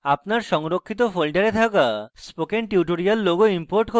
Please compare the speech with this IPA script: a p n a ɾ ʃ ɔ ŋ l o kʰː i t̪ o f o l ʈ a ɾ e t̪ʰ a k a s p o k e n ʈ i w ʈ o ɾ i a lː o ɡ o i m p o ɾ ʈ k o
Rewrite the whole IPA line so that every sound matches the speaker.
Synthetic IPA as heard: a p n a ɾ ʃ ɔ ŋ ɾ o kʰː i t̪ o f o l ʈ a ɾ e t̪ʰ a k a s p o k e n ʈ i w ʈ o ɾ i a lː o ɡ o i m p o ɾ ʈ k o